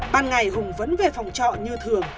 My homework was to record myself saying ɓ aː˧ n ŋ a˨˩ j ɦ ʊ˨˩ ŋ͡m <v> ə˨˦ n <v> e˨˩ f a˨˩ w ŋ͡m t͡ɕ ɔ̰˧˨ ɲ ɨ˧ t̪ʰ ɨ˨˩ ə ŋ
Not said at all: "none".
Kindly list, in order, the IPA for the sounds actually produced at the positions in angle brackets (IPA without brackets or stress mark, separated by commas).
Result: v, v